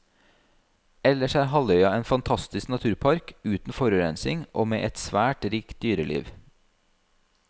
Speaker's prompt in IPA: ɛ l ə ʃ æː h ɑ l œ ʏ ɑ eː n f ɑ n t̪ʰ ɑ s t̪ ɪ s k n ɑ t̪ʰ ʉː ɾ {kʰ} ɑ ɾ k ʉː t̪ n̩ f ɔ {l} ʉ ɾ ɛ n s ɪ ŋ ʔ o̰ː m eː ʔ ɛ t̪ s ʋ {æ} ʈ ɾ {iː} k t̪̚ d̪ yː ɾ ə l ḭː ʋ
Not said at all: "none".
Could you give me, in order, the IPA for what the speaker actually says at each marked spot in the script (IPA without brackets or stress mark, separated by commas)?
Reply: pʰ, ɾ, æː, iː